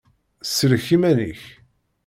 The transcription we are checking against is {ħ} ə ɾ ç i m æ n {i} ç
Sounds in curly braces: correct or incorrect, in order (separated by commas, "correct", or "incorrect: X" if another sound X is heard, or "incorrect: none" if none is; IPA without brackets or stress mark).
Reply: incorrect: s, correct